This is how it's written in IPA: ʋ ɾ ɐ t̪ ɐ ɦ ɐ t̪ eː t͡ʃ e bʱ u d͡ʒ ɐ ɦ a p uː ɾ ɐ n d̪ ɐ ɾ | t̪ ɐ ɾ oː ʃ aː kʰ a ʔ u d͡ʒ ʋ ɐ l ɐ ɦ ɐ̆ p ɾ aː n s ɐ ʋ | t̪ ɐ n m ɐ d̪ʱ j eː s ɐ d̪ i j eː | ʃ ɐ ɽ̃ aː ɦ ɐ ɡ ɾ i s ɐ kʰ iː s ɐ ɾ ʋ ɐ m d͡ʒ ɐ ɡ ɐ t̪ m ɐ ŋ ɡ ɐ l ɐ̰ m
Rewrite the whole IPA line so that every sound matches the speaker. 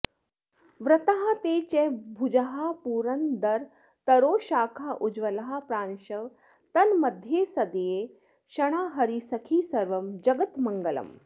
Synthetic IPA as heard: ʋ ɾ ɐ t̪ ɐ ɦ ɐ t̪ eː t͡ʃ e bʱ u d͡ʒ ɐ ɦ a p uː ɾ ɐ n d̪ ɐ ɾ | t̪ ɐ ɾ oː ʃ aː kʰ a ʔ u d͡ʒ ʋ ɐ l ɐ ɦ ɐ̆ p ɾ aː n ʃ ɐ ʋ | t̪ ɐ n m ɐ d̪ʱ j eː s ɐ d̪ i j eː | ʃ ɐ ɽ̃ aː ɦ ɐ ɾ i s ɐ kʰ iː s ɐ ɾ ʋ ɐ m d͡ʒ ɐ ɡ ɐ t̪ m ɐ ŋ ɡ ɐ l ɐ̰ m